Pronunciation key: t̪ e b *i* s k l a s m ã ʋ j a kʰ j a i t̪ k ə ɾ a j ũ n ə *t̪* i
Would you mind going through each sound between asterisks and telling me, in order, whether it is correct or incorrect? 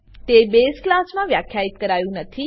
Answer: incorrect, incorrect

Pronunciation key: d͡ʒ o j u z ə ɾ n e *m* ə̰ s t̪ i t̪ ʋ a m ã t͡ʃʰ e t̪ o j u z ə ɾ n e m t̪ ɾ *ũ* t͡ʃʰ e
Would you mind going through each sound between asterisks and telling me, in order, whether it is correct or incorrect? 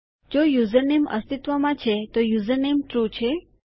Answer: correct, incorrect

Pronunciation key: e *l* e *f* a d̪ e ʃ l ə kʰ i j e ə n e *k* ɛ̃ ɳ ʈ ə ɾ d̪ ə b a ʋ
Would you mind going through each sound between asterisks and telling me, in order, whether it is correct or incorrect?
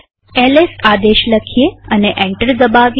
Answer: correct, incorrect, incorrect

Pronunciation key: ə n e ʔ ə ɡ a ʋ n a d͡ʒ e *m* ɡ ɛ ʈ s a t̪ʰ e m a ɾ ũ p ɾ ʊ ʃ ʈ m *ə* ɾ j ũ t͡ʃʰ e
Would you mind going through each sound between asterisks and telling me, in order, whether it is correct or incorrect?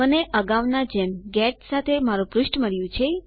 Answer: correct, correct

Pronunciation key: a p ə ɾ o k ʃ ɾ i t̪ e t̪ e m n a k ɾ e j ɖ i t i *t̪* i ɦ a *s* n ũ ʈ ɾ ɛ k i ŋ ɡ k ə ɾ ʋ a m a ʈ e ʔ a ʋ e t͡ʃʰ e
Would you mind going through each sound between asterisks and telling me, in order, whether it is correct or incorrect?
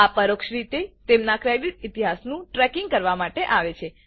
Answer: correct, correct

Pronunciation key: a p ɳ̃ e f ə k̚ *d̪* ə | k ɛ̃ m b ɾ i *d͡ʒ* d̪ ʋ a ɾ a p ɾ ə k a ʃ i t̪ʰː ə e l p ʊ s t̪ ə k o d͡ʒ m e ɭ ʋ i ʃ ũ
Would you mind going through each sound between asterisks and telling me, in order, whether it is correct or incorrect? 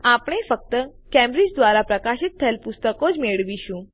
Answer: incorrect, correct

